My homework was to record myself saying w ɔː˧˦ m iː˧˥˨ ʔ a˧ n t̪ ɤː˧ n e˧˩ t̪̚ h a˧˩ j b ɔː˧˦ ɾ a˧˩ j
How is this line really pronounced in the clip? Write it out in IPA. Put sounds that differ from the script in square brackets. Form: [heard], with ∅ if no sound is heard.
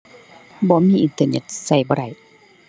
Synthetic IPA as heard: [b] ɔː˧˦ m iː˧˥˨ ʔ [i˧] n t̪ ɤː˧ n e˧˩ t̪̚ [s] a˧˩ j b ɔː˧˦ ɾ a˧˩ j